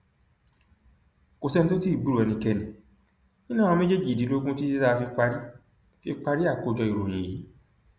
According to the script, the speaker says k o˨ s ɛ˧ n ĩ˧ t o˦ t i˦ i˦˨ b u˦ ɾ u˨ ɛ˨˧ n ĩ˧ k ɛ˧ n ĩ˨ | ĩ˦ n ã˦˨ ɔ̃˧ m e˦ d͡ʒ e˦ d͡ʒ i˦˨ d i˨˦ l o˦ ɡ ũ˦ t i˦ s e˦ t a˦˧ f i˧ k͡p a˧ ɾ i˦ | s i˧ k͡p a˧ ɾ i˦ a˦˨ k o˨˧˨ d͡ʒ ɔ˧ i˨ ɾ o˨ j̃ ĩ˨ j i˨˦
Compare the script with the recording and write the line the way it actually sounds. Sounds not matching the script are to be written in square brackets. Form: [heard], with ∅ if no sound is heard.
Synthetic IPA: k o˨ s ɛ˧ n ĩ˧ t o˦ t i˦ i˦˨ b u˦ ɾ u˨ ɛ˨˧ n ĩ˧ k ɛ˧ n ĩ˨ | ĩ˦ n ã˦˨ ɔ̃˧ m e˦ d͡ʒ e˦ d͡ʒ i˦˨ d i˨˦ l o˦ ɡ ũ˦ t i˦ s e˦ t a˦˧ f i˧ k͡p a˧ ɾ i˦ | [f] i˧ k͡p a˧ ɾ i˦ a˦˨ k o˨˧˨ d͡ʒ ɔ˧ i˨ ɾ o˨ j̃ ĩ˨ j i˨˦

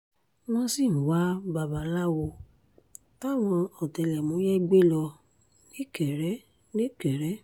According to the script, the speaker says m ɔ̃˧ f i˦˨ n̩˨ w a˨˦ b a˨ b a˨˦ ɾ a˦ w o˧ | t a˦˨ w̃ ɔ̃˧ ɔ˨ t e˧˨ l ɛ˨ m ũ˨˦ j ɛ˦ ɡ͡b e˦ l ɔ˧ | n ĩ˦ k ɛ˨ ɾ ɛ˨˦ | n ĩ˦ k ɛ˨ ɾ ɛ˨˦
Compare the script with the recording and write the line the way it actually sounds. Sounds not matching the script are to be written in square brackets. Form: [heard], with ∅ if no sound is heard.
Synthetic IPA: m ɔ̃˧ [s] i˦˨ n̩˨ w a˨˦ b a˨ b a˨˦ [l] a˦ w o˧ | t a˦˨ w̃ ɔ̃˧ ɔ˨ t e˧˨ l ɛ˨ m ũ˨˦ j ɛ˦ ɡ͡b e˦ l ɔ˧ | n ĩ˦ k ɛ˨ ɾ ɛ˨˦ | n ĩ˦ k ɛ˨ ɾ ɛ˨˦

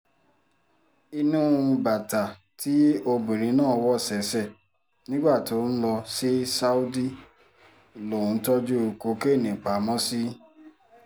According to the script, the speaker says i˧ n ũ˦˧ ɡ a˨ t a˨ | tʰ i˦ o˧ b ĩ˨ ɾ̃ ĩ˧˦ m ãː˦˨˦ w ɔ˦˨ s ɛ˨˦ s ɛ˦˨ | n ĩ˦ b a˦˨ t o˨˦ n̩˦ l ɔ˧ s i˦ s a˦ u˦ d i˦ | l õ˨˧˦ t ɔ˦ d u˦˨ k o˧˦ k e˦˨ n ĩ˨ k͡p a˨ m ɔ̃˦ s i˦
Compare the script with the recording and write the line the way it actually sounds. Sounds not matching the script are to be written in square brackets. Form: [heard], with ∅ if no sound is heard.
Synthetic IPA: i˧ n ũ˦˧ [b] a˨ t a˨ | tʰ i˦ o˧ b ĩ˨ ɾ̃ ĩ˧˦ [n] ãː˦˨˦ w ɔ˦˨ s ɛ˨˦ s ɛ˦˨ | n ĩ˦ [ɡ͡b] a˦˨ t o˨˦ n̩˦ l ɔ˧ s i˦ s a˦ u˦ d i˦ | l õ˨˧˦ t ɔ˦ [d͡ʒ] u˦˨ k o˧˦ k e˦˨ n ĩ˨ k͡p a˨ m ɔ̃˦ s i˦

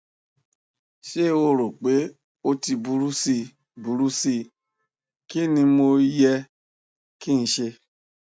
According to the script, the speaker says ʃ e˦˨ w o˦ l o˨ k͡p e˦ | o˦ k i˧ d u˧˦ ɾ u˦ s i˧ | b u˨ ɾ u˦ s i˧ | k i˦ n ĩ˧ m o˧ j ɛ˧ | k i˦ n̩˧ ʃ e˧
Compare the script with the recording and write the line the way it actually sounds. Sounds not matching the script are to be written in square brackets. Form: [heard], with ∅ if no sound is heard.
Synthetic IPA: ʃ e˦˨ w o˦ [ɾ] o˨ k͡p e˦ | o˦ [t] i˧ [b] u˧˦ ɾ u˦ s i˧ | b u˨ ɾ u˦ s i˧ | k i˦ n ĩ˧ m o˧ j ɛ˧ | k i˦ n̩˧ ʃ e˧

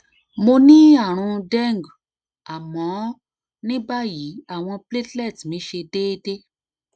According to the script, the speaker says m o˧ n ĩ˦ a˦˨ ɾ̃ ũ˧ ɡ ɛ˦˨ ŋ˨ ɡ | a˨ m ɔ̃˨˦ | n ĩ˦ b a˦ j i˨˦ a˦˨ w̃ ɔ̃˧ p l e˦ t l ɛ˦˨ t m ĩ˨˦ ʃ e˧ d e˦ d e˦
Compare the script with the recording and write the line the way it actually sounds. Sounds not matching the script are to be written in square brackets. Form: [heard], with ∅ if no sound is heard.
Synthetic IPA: m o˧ n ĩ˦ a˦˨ ɾ̃ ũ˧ [d] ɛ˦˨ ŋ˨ ɡ | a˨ m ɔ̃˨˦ | n ĩ˦ b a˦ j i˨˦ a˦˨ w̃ ɔ̃˧ p l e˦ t l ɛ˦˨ t m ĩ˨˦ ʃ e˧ d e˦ d e˦

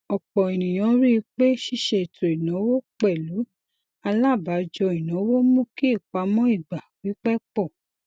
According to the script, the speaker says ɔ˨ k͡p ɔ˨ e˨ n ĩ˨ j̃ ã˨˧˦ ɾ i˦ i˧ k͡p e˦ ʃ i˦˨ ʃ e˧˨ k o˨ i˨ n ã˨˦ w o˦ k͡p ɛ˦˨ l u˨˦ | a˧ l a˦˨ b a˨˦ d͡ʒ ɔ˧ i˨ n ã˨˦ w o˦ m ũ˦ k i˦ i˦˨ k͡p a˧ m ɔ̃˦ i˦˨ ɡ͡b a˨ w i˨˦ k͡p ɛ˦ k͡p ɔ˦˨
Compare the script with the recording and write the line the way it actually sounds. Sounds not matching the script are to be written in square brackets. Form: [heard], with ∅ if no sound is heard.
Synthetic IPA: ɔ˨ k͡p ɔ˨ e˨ n ĩ˨ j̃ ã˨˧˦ ɾ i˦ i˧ k͡p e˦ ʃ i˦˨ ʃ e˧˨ [t] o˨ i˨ n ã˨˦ w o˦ k͡p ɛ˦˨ l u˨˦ | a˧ l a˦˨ b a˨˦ d͡ʒ ɔ˧ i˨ n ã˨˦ w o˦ m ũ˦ k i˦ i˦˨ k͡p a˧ m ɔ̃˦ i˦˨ ɡ͡b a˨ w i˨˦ k͡p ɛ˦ k͡p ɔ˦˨

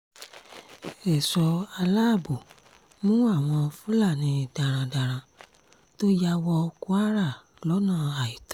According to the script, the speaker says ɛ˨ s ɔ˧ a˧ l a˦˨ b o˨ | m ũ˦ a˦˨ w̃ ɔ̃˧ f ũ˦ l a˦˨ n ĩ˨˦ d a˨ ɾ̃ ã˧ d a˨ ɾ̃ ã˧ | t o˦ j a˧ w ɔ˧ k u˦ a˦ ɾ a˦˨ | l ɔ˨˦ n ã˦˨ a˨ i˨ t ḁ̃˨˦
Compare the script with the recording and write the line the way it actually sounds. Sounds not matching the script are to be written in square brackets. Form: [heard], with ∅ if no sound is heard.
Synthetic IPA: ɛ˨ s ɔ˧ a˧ l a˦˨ b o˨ | m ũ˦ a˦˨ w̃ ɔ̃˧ f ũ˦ l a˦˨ n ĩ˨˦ d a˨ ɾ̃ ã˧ d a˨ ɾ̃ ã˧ | t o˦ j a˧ w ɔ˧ k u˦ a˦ ɾ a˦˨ | l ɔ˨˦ n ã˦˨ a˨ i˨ t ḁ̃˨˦

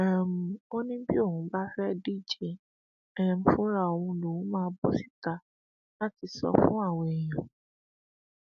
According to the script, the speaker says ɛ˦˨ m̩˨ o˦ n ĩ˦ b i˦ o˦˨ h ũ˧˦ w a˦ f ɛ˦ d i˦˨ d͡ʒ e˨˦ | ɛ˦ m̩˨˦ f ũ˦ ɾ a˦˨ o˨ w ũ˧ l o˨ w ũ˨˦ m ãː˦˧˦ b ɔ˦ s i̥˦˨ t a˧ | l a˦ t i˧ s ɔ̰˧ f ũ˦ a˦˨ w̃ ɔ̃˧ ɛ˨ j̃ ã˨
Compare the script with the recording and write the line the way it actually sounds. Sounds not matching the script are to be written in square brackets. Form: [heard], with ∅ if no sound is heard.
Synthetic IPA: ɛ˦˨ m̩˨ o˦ n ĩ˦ b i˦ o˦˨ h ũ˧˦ [b] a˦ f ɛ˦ d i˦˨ d͡ʒ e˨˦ | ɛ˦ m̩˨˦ f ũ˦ ɾ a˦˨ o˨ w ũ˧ l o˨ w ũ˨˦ m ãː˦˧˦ b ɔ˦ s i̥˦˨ t a˧ | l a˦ t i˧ s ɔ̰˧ f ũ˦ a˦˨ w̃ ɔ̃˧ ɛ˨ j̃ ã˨

